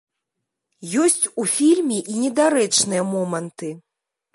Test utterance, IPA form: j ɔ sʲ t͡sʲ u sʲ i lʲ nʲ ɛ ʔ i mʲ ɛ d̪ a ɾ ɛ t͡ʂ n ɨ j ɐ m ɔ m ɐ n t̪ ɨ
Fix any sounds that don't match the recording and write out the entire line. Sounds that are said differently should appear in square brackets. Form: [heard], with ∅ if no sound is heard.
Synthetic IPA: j ɔ sʲ t͡sʲ u [fʲ] i lʲ [mʲ] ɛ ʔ i [nʲ] ɛ d̪ a ɾ ɛ t͡ʂ n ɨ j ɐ m ɔ m ɐ n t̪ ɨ